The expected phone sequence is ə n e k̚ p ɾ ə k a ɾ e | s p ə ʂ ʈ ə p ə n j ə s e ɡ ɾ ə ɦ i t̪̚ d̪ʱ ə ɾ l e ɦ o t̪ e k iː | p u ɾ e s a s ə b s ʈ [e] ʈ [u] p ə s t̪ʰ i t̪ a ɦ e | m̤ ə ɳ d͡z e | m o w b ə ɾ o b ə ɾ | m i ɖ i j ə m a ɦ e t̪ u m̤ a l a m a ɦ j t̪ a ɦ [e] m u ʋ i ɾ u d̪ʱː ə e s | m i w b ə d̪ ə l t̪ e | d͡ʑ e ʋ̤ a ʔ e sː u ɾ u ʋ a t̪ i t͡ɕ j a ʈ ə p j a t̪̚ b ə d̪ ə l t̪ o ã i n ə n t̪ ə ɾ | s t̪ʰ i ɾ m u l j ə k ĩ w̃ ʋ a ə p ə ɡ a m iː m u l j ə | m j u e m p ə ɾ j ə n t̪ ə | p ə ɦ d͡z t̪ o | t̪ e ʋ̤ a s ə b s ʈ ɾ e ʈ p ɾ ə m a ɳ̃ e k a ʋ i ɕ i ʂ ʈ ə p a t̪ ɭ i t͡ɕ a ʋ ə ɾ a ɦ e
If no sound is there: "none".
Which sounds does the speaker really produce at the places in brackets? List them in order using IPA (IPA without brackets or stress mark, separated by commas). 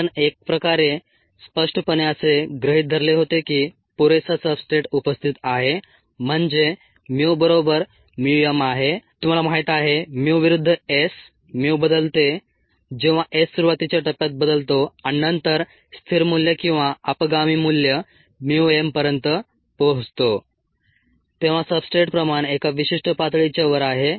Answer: e, u, e